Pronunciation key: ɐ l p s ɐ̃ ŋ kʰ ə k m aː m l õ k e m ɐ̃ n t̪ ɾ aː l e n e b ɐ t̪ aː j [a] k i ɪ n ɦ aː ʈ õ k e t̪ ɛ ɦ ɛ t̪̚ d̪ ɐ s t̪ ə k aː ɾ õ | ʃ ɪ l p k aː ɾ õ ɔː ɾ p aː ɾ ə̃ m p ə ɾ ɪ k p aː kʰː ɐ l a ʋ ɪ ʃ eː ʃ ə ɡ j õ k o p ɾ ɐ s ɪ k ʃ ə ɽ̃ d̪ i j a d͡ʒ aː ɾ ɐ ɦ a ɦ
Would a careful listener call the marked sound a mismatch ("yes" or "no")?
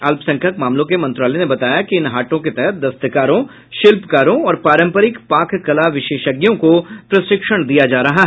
no